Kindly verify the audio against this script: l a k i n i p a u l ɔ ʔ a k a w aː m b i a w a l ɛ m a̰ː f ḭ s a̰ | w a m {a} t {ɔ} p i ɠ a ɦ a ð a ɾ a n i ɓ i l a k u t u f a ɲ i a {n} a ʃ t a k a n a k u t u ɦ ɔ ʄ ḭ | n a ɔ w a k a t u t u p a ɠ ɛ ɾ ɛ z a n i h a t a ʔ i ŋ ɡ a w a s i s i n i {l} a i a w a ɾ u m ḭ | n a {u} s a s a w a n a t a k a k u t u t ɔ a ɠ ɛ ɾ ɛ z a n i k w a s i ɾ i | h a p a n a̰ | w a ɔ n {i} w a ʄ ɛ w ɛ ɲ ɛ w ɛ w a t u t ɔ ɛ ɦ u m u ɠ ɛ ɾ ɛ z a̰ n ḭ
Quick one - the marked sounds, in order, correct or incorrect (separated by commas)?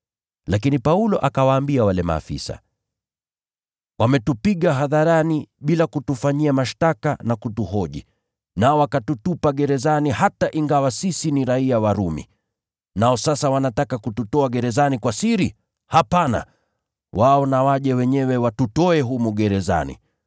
incorrect, incorrect, incorrect, incorrect, incorrect, incorrect